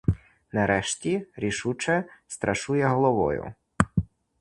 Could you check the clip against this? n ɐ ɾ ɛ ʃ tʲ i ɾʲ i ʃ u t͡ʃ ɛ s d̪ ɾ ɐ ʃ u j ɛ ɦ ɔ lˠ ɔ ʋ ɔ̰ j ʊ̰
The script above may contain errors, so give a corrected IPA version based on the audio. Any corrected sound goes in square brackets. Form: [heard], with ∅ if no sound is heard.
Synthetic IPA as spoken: n ɐ ɾ ɛ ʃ tʲ i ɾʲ i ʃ u t͡ʃ ɛ s [t̪] ɾ ɐ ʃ u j ɛ ɦ ɔ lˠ ɔ ʋ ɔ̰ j ʊ̰